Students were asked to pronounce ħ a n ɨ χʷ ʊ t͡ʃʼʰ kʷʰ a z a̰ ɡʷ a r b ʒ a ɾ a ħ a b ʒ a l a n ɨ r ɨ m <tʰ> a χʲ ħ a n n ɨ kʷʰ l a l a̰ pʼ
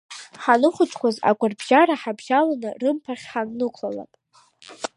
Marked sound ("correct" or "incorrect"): incorrect